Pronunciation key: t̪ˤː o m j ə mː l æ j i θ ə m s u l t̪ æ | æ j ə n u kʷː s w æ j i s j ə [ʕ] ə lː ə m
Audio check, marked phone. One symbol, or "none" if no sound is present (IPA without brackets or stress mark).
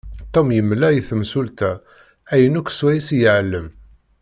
ʕ